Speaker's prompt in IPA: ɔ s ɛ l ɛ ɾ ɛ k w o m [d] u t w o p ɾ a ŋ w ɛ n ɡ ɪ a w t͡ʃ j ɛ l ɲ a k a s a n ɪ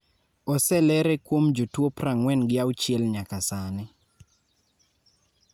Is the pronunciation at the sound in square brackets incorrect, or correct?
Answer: incorrect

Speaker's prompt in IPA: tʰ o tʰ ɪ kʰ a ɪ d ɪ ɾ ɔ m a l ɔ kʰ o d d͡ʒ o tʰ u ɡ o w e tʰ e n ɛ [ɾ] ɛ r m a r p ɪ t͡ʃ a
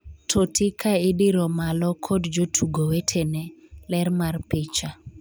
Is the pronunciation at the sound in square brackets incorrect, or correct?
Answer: incorrect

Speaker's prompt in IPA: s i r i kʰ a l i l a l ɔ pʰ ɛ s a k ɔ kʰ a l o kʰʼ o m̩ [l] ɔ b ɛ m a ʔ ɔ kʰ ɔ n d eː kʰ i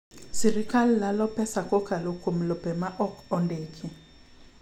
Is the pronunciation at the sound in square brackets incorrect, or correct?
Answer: correct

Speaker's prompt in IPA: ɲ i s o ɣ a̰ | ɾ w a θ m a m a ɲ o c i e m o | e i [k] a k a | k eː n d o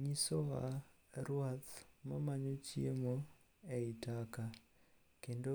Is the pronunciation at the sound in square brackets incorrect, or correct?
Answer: incorrect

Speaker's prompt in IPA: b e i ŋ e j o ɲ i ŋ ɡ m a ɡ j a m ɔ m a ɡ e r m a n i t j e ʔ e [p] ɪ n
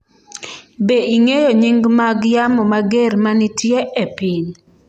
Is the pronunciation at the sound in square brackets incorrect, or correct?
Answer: correct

